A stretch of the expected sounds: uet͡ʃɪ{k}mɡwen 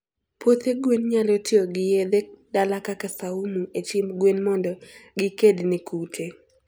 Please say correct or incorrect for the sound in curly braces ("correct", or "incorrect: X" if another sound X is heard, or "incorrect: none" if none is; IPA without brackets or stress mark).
incorrect: none